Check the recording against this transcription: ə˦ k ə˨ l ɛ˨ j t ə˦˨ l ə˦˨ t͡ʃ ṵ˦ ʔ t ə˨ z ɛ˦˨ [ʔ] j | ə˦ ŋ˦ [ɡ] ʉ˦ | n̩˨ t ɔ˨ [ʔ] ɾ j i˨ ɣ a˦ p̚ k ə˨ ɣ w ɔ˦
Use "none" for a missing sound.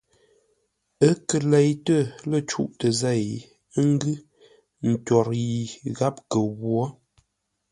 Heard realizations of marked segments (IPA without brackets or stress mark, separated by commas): none, ɡ, none